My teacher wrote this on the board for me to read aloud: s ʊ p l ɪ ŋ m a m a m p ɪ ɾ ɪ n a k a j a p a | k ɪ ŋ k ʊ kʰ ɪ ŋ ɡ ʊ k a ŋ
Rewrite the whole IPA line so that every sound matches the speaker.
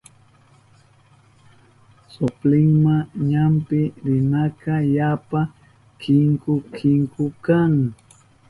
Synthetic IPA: s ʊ p l ɪ ŋ m a ɲ a m p ɪ ɾ ɪ n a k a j a p a | k ɪ ŋ k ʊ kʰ ɪ ŋ k ʊ k a ŋ